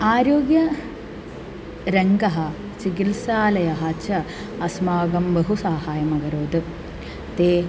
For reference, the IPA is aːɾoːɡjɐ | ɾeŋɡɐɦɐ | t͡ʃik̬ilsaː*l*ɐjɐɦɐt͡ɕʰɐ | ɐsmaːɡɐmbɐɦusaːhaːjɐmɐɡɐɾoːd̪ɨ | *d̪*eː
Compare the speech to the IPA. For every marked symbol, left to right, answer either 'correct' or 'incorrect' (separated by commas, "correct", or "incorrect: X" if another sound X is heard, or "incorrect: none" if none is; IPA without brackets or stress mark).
correct, incorrect: t̪